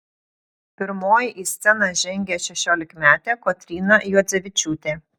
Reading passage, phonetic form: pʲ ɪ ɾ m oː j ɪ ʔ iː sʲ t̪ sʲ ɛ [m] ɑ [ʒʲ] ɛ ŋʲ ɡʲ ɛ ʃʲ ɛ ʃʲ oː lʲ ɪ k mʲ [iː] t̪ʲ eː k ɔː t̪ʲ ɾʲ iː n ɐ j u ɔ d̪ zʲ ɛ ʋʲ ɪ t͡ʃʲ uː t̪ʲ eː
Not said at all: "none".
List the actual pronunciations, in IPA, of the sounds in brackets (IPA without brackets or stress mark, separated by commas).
n, ʒʲ, æː